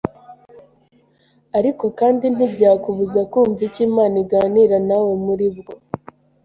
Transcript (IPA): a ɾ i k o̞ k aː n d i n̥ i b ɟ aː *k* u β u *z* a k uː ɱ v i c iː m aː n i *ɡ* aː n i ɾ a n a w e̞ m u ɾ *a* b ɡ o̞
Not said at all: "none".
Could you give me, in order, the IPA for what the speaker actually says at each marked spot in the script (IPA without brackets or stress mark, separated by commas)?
k, z, ɡ, i